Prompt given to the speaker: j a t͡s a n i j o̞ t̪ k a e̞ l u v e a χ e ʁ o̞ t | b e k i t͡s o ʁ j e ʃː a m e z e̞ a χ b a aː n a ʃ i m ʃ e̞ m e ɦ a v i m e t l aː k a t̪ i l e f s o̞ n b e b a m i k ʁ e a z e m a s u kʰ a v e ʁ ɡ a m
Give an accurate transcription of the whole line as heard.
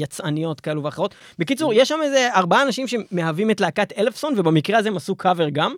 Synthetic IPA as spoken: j a t͡s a n i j o̞ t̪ k a e̞ l u v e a χ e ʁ o̞ t | b e k i t͡s u ʁ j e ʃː a m e z e̞ a ʁ b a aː n a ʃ i m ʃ e̞ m e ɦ a v i m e t l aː k a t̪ e l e f s o̞ n v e b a m i k ʁ e a z e m a s u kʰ a v e ʁ ɡ a m